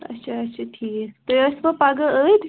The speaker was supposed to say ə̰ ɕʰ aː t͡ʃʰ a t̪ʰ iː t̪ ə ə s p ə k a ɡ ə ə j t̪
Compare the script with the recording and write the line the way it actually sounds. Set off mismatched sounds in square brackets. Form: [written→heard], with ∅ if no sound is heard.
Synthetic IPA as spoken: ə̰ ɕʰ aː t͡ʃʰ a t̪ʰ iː t̪ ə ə s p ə [k→p] a ɡ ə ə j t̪

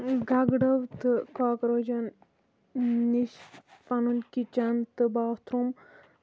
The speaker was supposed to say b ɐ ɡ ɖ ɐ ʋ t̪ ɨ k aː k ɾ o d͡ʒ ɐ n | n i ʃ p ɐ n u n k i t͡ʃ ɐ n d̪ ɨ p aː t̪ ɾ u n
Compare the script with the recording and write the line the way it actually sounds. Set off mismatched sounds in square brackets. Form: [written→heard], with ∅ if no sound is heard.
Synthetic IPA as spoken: [b→ɡ] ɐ ɡ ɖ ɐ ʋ t̪ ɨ k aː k ɾ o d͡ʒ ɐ n | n i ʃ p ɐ n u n k i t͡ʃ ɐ n [d̪→t̪] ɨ [p→b] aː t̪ ɾ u [n→m]

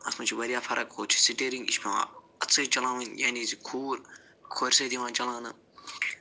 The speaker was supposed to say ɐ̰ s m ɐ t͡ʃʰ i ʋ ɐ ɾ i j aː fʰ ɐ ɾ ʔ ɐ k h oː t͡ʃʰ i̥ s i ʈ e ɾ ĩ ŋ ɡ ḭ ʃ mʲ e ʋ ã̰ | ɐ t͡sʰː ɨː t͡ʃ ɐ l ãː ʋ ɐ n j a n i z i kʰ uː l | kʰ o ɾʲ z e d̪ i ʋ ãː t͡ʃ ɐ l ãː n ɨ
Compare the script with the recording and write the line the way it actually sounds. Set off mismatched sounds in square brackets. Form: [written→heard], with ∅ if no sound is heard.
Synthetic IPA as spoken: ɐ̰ s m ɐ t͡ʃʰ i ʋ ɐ ɾ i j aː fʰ ɐ ɾ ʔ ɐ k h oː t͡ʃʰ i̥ s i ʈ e ɾ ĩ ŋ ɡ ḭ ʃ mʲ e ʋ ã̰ | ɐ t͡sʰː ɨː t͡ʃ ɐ l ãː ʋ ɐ n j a n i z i kʰ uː [l→ɾ] | kʰ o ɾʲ [z→s] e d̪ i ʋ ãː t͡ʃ ɐ l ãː n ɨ

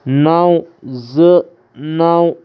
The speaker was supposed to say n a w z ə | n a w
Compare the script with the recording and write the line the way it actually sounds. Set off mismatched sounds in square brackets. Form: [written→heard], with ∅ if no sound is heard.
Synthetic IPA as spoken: n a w z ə | n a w

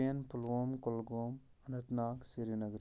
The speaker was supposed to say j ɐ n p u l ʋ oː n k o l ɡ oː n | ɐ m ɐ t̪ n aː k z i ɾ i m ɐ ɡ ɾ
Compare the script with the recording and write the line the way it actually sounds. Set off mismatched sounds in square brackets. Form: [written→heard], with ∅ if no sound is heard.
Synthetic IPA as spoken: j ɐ n p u l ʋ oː [n→m] k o l ɡ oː [n→m] | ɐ [m→n] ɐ t̪ n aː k [z→s] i ɾ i [m→n] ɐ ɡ ɾ

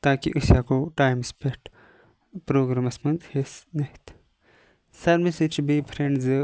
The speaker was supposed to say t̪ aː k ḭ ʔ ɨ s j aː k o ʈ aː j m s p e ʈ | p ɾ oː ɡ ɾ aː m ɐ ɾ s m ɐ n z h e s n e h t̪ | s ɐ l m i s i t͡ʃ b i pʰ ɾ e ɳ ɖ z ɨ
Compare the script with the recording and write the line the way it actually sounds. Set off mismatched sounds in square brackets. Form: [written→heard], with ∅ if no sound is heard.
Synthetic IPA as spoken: t̪ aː k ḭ ʔ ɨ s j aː k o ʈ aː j m s p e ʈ | p ɾ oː ɡ ɾ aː m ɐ [ɾ→∅] s m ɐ n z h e s n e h t̪ | s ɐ [l→ɾ] m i s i t͡ʃ b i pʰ ɾ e ɳ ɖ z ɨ

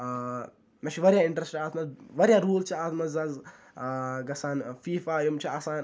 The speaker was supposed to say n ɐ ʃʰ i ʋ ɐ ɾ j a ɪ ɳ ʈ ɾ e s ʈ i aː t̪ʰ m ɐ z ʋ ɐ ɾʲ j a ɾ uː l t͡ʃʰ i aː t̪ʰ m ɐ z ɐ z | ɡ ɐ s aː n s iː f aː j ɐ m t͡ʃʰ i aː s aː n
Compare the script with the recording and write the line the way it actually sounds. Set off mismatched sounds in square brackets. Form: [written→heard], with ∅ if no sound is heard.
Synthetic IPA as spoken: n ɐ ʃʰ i ʋ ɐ ɾ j a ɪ ɳ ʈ ɾ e s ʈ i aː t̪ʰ m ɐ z ʋ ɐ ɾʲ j a ɾ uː l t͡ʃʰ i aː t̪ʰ m ɐ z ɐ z | ɡ ɐ s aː n [s→f] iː f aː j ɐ m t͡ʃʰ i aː s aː n

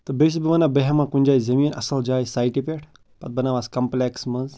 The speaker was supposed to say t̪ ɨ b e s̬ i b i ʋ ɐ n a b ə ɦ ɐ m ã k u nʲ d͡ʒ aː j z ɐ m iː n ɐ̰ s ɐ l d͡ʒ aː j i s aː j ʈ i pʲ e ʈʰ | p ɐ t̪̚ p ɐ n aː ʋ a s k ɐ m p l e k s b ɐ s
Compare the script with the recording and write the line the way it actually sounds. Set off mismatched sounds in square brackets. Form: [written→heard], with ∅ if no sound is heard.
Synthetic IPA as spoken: t̪ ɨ b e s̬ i b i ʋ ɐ n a b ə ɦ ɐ m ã k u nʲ d͡ʒ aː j z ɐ m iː n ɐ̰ s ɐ l d͡ʒ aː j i s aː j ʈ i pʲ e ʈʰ | p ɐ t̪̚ [p→b] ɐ n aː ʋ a s k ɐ m p l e k s [b→m] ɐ [s→z]

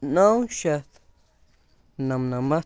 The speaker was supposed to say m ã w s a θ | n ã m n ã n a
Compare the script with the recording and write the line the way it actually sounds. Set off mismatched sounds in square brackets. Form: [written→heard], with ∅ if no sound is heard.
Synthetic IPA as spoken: [m→n] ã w [s→ʃ] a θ | n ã m n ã [n→m] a

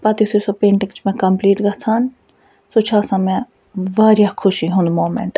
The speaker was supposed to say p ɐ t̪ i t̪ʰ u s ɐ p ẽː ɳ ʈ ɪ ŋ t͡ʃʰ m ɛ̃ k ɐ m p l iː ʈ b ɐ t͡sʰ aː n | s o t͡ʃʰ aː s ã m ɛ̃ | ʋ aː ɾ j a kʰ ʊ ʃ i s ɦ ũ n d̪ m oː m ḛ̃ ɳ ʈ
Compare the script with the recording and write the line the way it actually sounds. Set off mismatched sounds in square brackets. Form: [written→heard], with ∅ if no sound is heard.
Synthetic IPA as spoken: p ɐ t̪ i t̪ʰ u s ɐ p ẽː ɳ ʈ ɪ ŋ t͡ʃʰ m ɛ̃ k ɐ m p l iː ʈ [b→ɡ] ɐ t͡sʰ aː n | s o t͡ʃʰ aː s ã m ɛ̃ | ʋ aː ɾ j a kʰ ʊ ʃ i [s→∅] ɦ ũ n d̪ m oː m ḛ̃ ɳ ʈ

